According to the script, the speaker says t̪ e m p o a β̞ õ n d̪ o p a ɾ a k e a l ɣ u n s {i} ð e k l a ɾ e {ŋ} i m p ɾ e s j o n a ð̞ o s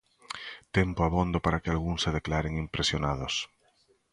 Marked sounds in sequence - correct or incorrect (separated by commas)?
incorrect, correct